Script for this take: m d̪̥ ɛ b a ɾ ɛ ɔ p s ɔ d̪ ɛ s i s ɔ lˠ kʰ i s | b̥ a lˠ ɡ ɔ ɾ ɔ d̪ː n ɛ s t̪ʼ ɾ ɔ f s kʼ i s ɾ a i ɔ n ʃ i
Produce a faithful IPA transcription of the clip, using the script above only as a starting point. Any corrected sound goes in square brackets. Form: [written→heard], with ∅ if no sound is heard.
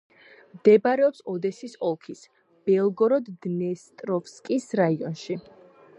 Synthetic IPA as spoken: m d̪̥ ɛ b a ɾ ɛ ɔ p s ɔ d̪ ɛ s i s ɔ lˠ kʰ i s | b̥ [a→ɛ] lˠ ɡ ɔ ɾ ɔ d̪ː n ɛ s t̪ʼ ɾ ɔ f s kʼ i s ɾ a i ɔ n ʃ i